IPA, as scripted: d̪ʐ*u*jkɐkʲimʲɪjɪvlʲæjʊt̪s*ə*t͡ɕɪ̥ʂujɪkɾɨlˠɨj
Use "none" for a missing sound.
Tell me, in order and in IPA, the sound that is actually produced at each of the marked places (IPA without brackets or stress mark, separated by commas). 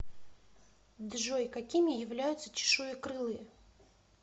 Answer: o, ə